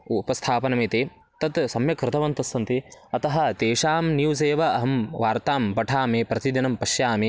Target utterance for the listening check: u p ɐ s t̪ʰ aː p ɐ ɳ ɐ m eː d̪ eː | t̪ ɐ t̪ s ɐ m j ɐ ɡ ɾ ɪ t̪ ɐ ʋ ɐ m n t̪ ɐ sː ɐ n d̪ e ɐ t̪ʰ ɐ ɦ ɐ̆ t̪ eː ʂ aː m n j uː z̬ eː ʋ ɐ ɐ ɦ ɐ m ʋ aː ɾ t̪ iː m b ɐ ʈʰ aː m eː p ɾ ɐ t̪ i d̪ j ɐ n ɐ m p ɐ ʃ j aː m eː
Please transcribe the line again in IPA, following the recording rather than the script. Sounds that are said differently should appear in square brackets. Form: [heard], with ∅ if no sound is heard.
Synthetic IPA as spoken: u p ɐ s t̪ʰ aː p ɐ [n] ɐ m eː [t̪] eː | t̪ ɐ t̪ s ɐ m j ɐ [k] ɾ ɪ t̪ ɐ ʋ ɐ [∅] n t̪ ɐ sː ɐ n [t̪] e ɐ [t̪] ɐ ɦ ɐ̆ t̪ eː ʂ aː m n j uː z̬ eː ʋ ɐ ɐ ɦ ɐ m ʋ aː ɾ t̪ [aː] m b ɐ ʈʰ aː m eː p ɾ ɐ t̪ i d̪ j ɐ n ɐ m p ɐ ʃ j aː m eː

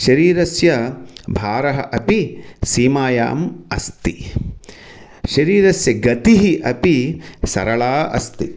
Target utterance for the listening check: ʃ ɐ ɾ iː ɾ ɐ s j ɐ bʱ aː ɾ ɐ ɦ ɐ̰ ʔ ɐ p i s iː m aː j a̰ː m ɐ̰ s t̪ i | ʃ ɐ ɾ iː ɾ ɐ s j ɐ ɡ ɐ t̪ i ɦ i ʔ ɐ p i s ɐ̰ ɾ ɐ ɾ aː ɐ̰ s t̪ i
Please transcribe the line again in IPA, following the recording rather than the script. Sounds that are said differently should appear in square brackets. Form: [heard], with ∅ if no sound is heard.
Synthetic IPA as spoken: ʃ ɐ ɾ iː ɾ ɐ s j ɐ bʱ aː ɾ ɐ ɦ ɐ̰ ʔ ɐ p i s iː m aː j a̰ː m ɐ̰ s t̪ i | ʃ ɐ ɾ iː ɾ ɐ s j ɐ ɡ ɐ t̪ i ɦ i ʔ ɐ p i s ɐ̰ ɾ ɐ [ɭ] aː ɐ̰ s t̪ i

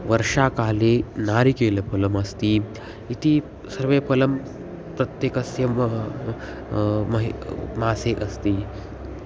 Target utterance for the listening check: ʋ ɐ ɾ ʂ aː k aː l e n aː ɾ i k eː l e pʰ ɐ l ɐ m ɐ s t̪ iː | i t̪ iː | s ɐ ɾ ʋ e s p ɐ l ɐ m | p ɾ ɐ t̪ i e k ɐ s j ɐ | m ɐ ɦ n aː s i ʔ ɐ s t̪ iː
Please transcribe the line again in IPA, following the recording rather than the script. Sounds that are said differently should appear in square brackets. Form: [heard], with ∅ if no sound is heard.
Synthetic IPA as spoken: ʋ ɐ ɾ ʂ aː k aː l e n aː ɾ i k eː l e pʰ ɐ l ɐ m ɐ s t̪ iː | i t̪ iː | s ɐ ɾ ʋ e [∅] p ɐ l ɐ m | p ɾ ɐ t̪ [j] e k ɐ s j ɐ | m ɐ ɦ [m] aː s [e] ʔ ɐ s t̪ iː

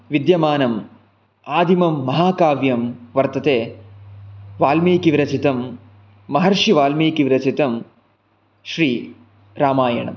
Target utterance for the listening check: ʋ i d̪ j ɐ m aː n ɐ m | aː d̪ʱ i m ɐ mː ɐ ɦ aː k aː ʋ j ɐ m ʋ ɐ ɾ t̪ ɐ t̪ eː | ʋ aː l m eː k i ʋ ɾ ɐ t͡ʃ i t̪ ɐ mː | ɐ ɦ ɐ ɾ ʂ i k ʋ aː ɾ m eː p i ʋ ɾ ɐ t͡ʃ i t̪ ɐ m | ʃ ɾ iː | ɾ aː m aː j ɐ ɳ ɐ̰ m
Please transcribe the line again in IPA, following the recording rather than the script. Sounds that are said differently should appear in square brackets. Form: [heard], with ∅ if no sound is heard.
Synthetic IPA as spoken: ʋ i d̪ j ɐ m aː n ɐ m | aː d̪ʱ i m ɐ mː ɐ ɦ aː k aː ʋ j ɐ m ʋ ɐ ɾ t̪ ɐ t̪ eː | ʋ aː l m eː k i ʋ ɾ ɐ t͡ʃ i t̪ ɐ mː | ɐ ɦ ɐ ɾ ʂ i [∅] ʋ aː [l] m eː [k] i ʋ ɾ ɐ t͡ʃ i t̪ ɐ m | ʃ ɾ iː | ɾ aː m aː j ɐ ɳ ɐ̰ m

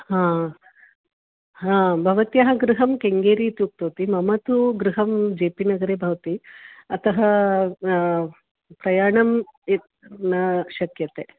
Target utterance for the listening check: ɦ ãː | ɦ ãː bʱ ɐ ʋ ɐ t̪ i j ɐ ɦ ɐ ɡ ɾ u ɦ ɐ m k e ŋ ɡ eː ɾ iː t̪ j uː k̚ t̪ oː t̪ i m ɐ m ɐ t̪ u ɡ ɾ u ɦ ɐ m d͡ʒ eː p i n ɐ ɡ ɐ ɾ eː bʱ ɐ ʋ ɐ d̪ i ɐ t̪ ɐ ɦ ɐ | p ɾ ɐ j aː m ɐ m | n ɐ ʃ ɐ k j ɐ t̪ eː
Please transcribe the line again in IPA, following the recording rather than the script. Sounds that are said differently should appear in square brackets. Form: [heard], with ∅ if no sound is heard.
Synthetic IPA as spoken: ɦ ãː | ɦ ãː bʱ ɐ ʋ ɐ t̪ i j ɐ ɦ ɐ ɡ ɾ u ɦ ɐ m k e ŋ ɡ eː ɾ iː t̪ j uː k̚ t̪ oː t̪ i m ɐ m ɐ t̪ u ɡ ɾ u ɦ ɐ m d͡ʒ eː p i n ɐ ɡ ɐ ɾ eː bʱ ɐ ʋ ɐ [t̪] i ɐ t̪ ɐ ɦ ɐ | p ɾ ɐ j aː [ɳ] ɐ m | n ɐ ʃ ɐ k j ɐ t̪ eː

